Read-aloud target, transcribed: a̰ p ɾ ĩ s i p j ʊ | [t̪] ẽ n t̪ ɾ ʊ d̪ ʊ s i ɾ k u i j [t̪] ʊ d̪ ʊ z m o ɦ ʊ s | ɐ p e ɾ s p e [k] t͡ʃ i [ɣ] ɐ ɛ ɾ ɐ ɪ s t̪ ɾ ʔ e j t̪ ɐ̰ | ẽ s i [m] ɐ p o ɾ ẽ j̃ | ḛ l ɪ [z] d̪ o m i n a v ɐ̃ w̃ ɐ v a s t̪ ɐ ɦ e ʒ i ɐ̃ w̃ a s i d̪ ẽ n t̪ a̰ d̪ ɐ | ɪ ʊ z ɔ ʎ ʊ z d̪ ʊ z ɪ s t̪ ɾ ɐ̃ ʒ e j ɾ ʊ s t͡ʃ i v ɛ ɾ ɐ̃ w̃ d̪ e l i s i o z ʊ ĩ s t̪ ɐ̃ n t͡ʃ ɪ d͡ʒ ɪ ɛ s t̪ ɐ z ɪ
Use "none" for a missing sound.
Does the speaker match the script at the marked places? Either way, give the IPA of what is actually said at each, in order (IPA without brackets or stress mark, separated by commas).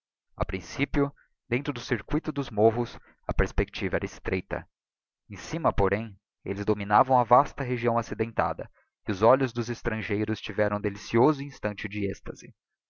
d̪, t̪, k, v, m, z